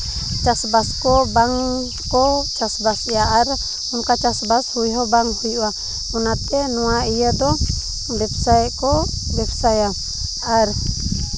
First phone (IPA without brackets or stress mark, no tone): t͡ʃ